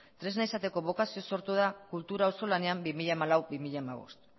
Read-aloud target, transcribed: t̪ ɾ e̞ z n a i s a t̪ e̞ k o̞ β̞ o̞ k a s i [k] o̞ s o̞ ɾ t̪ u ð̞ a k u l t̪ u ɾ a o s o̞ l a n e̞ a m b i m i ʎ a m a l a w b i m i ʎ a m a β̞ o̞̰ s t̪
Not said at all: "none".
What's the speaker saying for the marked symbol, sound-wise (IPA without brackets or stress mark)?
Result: none